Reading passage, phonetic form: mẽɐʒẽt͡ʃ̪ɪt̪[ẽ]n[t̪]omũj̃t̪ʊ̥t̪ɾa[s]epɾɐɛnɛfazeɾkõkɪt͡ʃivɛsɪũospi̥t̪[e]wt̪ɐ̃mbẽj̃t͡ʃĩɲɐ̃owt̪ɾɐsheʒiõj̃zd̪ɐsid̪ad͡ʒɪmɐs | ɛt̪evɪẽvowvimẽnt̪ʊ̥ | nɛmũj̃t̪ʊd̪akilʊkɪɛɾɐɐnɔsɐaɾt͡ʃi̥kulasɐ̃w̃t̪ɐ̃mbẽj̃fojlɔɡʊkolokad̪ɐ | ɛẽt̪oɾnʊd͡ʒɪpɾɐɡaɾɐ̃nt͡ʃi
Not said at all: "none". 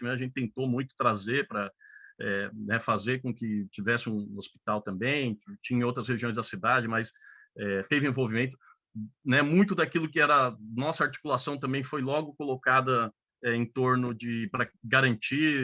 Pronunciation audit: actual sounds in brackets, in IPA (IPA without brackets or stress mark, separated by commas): ẽ, t̪, z, a